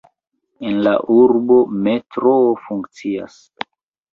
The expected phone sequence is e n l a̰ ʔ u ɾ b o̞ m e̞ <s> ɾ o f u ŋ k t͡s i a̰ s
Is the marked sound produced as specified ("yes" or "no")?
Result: no